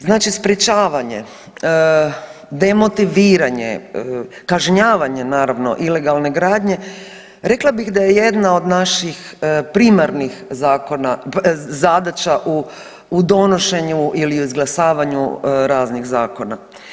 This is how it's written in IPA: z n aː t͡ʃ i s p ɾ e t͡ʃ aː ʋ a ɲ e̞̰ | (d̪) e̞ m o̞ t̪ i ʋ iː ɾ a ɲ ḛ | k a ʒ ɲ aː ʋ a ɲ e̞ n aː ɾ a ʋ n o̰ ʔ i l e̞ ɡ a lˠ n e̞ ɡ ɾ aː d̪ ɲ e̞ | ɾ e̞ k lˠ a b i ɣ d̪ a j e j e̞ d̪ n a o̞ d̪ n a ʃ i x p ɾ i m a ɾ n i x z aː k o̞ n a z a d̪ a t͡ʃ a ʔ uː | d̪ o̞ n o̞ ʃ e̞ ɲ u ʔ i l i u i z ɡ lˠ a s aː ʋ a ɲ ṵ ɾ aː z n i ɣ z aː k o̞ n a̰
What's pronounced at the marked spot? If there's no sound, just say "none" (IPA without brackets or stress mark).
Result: d̪